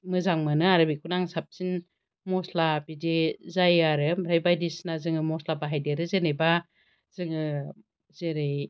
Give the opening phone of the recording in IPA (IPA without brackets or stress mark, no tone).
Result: m